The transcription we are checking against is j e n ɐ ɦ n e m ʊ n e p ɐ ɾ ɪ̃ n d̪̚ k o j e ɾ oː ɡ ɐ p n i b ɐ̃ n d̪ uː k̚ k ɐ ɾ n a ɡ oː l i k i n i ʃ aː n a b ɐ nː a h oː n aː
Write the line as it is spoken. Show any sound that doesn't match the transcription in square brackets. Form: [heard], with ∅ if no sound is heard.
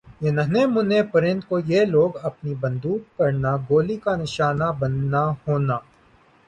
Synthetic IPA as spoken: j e n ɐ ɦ n e m ʊ n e p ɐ ɾ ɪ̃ n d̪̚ k o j e [l] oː ɡ ɐ p n i b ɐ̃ n d̪ uː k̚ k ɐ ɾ n a ɡ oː l i k [a] n [ɪ] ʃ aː n a b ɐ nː a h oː n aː